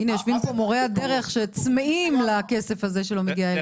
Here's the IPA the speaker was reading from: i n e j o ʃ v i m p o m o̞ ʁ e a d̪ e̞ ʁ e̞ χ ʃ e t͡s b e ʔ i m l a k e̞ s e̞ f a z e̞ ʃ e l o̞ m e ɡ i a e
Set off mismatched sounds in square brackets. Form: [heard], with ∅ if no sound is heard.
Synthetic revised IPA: i n e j o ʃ v i m p o m o̞ ʁ e a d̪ e̞ ʁ e̞ χ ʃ e t͡s [m] e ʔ i m l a k e̞ s e̞ f a z e̞ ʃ e l o̞ m e ɡ i a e